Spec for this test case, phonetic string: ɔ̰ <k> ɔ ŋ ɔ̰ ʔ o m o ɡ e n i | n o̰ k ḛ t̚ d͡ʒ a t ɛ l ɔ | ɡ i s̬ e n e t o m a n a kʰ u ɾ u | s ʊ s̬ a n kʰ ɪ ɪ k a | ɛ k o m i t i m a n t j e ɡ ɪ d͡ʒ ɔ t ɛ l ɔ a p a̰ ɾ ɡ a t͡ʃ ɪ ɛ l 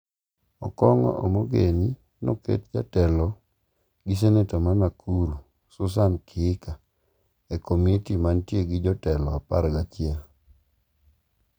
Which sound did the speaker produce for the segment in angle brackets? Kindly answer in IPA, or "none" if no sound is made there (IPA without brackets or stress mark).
k